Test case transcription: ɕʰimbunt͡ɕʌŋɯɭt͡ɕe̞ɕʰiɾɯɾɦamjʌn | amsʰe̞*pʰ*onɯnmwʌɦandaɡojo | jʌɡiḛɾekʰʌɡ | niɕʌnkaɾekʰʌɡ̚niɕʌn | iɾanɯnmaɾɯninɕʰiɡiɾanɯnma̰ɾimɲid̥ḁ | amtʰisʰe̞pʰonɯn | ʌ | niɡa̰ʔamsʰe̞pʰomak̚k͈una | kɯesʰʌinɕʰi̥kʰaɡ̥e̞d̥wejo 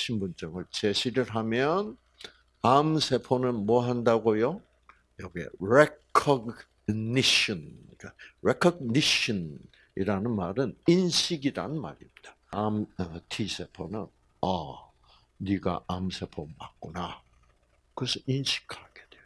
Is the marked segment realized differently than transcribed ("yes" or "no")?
no